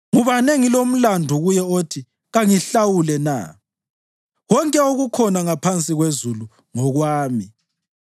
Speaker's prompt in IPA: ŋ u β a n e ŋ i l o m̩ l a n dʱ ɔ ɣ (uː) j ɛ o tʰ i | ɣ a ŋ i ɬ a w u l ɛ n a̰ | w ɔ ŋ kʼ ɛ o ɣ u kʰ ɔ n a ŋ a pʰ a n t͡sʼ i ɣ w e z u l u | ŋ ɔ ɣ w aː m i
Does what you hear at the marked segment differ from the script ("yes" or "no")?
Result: yes